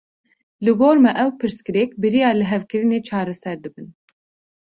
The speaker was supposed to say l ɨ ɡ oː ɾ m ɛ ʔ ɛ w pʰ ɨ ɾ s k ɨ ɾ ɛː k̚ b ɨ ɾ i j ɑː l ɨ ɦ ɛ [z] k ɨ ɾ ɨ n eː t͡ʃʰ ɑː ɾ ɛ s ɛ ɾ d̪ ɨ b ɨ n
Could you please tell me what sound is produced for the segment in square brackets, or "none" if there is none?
v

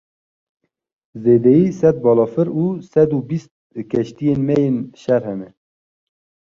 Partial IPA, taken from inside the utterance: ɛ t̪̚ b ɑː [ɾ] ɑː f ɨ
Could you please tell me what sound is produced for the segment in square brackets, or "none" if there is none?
l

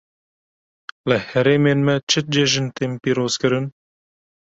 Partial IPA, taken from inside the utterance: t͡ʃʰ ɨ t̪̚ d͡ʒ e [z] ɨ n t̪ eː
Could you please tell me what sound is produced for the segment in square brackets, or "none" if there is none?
ʒ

